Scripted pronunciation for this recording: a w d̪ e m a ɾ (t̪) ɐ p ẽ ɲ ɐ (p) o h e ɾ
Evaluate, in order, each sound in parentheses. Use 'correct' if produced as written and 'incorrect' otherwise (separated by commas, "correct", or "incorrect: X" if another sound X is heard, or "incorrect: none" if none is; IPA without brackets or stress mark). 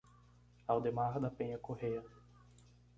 incorrect: d̪, incorrect: k